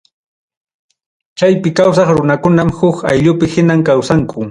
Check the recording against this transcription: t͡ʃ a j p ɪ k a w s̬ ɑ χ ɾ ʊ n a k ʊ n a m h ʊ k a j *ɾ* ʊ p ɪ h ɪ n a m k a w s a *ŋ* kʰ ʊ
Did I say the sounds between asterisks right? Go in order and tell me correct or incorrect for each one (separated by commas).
incorrect, correct